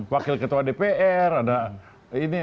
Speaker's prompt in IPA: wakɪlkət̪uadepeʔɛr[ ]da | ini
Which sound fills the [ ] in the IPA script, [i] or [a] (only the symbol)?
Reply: a